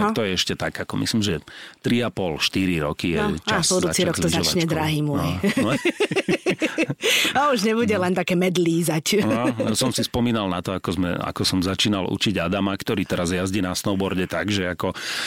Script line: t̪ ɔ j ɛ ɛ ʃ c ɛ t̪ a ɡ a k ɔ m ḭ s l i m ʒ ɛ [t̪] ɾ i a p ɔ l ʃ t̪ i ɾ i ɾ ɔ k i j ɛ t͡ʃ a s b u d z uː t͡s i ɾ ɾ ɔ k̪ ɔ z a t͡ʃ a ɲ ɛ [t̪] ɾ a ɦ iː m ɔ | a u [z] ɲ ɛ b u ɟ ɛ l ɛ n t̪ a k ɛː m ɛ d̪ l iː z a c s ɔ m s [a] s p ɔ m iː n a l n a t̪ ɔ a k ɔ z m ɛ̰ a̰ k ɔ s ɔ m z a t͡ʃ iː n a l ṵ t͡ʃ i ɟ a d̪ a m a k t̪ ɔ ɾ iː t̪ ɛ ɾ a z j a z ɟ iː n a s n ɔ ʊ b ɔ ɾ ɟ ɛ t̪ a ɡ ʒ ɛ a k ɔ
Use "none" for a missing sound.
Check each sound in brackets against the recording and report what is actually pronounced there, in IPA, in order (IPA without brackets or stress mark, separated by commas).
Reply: t̪, d̪, ʒ, i